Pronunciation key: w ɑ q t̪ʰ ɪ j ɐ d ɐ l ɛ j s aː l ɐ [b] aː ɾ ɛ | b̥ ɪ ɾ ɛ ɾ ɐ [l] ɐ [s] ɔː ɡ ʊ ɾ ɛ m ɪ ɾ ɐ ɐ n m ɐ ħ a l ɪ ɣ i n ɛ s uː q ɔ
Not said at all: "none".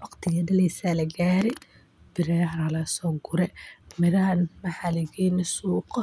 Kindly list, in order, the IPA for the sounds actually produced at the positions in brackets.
ɡ, l, s

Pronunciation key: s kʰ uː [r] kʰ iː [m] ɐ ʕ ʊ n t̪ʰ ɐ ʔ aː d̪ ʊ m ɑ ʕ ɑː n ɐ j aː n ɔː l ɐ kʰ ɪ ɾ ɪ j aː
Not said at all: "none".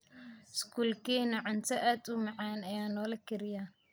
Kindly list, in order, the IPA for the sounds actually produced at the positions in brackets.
l, n

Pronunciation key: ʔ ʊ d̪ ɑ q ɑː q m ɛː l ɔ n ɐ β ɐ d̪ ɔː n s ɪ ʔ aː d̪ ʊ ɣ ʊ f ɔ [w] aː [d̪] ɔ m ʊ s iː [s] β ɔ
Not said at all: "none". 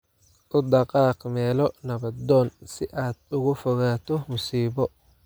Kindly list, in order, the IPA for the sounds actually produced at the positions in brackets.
ɣ, t̪, none

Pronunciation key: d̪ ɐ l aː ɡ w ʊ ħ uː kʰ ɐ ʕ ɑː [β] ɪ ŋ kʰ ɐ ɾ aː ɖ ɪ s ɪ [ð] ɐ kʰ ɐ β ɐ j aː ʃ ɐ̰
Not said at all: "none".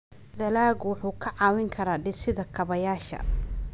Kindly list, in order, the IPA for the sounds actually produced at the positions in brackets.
w, ð

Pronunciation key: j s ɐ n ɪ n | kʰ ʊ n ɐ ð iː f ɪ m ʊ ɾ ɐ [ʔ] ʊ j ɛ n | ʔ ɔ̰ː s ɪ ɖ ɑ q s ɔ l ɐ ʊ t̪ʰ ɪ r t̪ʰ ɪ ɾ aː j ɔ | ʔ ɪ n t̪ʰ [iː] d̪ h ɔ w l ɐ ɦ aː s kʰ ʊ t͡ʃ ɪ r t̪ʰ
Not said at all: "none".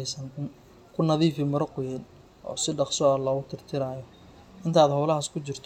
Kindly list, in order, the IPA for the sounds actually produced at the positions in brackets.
q, aː

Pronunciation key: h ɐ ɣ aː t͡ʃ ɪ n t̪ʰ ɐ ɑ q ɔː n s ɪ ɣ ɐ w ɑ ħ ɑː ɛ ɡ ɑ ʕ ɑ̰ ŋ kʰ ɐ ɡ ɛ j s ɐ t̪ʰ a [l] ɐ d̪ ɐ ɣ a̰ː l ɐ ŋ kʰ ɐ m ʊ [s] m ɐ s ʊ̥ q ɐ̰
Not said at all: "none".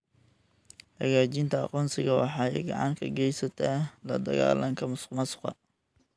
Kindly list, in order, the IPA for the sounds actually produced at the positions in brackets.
l, s

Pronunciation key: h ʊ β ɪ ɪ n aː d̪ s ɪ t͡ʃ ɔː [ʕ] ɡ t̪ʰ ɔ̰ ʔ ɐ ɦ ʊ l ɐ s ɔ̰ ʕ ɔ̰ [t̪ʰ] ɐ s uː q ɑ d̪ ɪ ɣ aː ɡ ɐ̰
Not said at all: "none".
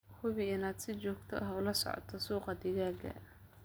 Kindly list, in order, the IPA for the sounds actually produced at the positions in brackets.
none, t̪ʰ

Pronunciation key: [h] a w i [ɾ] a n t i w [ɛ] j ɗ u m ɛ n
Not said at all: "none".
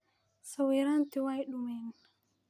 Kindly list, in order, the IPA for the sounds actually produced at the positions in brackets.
s, ɾ, a

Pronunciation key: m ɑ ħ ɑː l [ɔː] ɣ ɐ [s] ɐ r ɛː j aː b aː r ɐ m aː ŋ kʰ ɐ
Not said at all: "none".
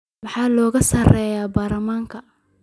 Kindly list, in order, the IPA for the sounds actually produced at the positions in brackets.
ɔː, s

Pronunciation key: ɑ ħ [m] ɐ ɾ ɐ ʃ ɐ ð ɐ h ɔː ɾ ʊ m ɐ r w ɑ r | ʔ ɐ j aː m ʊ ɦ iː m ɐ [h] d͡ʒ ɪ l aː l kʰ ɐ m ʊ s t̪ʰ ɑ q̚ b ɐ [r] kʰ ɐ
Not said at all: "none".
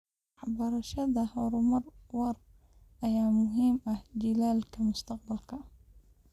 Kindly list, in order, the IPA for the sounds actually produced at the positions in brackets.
b, h, l

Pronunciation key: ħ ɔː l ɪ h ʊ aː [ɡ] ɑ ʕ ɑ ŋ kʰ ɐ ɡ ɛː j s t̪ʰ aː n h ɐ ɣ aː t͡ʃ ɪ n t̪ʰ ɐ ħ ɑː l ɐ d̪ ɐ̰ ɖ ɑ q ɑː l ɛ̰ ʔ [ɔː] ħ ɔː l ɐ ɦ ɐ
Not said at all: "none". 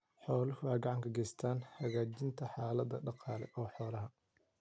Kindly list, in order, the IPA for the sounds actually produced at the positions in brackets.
ɡ, ɔː

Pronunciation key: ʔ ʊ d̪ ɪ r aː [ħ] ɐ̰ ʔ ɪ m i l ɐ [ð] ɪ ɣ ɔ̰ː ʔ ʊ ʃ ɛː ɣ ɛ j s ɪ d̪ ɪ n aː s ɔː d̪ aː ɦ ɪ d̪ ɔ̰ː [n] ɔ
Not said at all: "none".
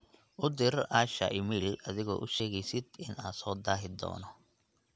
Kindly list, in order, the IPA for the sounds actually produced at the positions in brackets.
ʃ, ð, n

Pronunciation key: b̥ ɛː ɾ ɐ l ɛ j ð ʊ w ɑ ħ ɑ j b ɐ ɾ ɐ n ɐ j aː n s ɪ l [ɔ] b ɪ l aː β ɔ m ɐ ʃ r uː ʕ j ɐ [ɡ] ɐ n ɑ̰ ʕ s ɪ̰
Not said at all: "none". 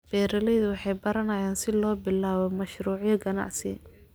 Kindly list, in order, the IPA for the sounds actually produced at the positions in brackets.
ɔː, ɡ

